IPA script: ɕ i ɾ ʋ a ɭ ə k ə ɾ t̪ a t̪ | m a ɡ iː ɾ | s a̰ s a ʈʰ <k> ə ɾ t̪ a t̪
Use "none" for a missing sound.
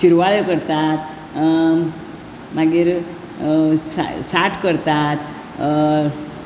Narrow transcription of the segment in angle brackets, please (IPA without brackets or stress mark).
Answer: k